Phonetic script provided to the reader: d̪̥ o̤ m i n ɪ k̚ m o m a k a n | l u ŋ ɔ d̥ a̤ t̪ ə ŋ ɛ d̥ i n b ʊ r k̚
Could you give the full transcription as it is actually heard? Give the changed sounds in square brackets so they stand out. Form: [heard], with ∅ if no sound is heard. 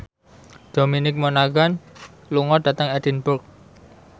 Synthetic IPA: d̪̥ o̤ m i n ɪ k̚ m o [n] a [ɡ] a n | l u ŋ ɔ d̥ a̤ t̪ ə ŋ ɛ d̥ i n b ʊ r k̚

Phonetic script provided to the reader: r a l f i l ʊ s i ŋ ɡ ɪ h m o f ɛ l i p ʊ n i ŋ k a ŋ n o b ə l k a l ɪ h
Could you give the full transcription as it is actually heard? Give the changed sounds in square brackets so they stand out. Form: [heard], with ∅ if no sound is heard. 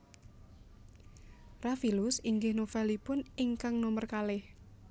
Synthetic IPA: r a [∅] f i l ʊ s i ŋ ɡ ɪ h [n] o f ɛ l i p ʊ n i ŋ k a ŋ n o [m] ə [r] k a l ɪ h

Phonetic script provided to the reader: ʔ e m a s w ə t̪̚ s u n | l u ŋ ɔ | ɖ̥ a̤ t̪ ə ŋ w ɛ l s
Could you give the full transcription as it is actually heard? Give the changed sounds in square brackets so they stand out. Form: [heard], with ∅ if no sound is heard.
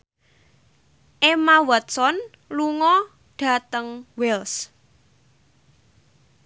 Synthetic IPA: ʔ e m a [∅] w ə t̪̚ s [ɔ] n | l u ŋ ɔ | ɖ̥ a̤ t̪ ə ŋ w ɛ l s

